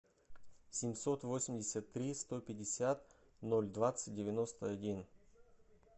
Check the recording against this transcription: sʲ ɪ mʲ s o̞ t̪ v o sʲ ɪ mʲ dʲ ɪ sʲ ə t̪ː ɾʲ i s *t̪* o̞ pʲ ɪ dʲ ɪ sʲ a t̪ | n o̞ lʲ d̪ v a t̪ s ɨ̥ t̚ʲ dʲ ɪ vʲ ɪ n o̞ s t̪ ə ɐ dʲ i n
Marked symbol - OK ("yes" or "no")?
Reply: yes